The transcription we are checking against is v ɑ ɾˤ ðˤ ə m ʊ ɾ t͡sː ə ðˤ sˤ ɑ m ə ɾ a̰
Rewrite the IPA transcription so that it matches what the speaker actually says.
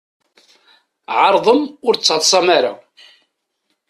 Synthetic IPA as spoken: ʕ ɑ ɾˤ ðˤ ə m ʊ ɾ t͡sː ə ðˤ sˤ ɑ m a ɾ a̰